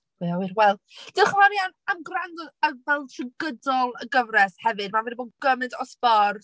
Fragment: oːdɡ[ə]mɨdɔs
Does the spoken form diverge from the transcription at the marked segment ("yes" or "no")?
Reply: no